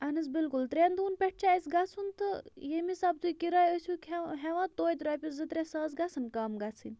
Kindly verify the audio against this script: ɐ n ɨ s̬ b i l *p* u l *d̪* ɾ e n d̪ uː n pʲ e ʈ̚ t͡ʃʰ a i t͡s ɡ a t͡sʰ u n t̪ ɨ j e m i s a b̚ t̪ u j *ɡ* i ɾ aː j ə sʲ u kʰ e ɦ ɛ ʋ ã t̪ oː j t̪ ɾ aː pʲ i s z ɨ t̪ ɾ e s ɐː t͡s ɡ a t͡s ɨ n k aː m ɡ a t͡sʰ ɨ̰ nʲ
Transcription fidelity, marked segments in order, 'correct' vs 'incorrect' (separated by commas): incorrect, incorrect, incorrect